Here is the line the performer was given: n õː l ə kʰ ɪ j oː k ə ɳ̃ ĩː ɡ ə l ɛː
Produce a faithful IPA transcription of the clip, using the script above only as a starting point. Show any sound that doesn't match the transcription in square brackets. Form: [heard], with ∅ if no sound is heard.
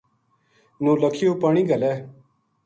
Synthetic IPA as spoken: n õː l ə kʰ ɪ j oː [p] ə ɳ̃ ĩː ɡ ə l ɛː